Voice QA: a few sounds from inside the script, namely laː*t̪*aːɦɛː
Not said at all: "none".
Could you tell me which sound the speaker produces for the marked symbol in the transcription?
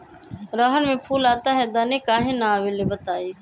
t̪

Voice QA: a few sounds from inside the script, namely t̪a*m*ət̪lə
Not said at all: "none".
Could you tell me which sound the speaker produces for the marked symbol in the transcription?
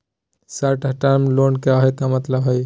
m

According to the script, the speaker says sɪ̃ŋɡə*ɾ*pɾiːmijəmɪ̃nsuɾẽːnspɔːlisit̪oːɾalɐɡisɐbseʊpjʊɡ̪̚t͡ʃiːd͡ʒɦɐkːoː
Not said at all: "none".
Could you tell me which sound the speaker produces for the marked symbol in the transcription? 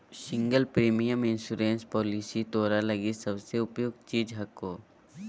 l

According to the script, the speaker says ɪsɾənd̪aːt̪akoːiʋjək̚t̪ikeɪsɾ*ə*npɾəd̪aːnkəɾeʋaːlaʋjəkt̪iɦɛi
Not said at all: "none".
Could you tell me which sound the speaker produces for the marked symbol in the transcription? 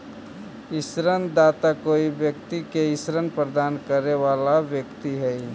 ə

